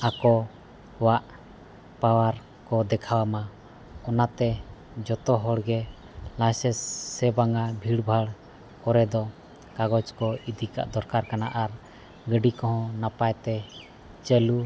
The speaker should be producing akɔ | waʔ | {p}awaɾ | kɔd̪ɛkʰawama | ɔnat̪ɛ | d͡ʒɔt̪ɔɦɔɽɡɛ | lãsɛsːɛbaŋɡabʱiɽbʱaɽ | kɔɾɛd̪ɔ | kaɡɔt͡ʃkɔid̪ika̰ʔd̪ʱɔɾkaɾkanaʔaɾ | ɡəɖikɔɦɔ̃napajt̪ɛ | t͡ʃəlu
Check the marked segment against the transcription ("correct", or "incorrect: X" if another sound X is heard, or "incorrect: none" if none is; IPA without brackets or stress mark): correct